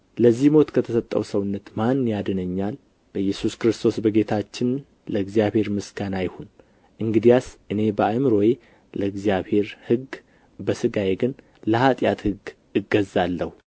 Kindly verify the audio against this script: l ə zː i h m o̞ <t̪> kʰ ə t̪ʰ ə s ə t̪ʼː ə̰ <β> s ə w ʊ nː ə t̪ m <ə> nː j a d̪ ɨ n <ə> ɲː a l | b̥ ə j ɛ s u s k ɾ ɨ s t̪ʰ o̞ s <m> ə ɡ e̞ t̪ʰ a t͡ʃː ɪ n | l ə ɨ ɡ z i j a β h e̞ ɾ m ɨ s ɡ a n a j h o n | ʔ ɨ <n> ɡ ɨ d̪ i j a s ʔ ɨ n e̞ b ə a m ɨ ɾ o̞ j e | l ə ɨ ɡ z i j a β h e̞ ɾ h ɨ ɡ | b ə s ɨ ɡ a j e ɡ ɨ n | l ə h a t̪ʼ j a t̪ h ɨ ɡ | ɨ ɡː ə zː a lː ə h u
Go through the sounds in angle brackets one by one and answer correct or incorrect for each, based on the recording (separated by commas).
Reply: correct, incorrect, incorrect, correct, incorrect, incorrect